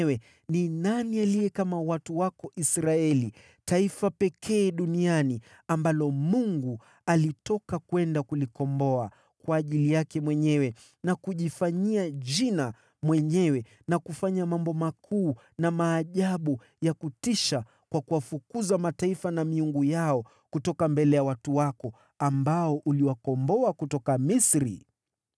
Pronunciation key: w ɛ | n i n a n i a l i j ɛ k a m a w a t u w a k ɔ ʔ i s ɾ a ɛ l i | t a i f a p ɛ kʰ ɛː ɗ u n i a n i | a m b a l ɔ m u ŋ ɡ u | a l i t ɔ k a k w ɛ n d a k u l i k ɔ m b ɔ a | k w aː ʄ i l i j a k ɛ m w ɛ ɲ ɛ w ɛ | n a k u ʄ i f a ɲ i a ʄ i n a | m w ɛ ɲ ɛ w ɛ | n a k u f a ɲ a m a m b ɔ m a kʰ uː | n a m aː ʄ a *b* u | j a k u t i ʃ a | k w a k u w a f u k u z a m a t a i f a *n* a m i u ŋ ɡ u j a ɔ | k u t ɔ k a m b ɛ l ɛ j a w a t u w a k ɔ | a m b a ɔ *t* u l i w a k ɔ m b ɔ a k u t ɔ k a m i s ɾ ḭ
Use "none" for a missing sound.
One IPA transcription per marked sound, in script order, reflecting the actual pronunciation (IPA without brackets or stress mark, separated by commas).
ɓ, n, ʔ